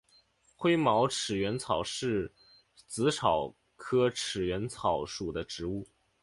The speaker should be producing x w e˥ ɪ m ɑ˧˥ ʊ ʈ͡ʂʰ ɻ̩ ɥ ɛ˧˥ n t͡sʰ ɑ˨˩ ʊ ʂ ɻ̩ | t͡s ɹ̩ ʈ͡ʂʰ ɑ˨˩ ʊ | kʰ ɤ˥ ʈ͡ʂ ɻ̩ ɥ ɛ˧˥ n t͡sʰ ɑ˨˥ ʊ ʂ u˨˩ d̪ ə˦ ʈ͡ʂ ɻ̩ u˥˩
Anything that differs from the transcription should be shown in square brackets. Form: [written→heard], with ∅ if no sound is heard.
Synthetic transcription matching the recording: x w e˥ ɪ m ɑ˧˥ ʊ ʈ͡ʂʰ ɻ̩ ɥ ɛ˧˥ n t͡sʰ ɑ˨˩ ʊ ʂ ɻ̩ | t͡s ɹ̩ ʈ͡ʂʰ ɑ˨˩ ʊ | kʰ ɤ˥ [ʈ͡ʂ→ʈ͡ʂʰ] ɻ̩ ɥ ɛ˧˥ n t͡sʰ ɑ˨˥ ʊ ʂ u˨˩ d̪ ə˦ ʈ͡ʂ ɻ̩ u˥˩

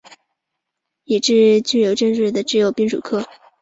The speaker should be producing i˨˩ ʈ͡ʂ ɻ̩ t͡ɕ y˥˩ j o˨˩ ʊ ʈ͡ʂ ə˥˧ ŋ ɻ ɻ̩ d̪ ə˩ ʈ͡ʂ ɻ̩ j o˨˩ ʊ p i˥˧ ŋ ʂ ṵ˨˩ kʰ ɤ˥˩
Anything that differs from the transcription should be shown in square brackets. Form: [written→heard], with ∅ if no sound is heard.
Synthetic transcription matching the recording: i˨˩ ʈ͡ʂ ɻ̩ t͡ɕ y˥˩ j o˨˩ ʊ ʈ͡ʂ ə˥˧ ŋ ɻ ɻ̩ d̪ ə˩ ʈ͡ʂ ɻ̩ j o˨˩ ʊ p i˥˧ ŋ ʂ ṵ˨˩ kʰ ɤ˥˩

